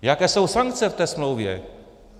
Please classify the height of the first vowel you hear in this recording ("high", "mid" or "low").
low